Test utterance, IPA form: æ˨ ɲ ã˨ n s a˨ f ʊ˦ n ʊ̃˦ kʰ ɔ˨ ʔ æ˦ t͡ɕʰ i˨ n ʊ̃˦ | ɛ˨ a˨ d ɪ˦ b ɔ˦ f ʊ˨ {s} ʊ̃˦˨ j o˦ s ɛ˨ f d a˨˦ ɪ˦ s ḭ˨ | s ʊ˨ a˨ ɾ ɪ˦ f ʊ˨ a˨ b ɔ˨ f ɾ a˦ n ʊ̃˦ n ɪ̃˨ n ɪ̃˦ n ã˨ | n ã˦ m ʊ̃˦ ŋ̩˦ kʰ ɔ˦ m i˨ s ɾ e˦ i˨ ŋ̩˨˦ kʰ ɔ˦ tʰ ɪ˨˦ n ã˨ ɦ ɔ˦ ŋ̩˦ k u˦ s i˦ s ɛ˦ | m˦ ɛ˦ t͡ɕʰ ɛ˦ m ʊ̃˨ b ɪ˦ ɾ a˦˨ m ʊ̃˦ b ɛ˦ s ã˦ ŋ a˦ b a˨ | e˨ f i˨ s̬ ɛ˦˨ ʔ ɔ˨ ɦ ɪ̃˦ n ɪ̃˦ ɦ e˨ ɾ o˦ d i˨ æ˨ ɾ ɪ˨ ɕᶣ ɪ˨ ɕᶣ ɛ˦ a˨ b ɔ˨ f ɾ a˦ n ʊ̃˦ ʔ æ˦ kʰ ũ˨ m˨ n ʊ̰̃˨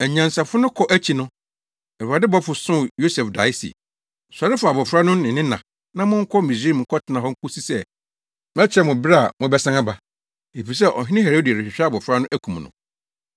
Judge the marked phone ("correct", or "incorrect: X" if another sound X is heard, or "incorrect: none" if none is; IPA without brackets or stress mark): correct